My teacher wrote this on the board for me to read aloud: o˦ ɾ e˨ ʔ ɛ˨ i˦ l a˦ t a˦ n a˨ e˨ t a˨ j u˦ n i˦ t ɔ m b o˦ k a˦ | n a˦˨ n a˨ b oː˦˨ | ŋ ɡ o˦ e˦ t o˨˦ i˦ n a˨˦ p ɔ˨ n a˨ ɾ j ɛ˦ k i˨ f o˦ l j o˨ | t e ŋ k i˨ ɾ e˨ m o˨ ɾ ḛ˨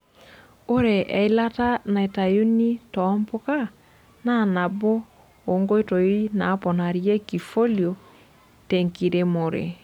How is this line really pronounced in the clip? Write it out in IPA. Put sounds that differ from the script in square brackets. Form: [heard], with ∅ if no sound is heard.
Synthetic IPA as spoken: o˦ ɾ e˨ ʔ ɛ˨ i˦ l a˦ t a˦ n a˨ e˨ t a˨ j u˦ n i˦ t ɔ m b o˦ k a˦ | n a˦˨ n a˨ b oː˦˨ | ŋ ɡ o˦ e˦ t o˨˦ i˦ n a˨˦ p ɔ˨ n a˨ ɾ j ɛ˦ k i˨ f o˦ l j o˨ | t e ŋ k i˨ ɾ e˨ m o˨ ɾ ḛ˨